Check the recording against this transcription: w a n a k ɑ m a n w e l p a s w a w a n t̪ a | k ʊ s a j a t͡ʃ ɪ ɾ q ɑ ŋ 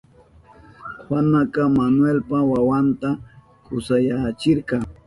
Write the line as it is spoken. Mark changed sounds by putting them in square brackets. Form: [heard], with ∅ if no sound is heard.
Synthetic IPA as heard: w a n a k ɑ m a n w e l p a [∅] w a w a n t̪ a | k ʊ s a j a t͡ʃ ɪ ɾ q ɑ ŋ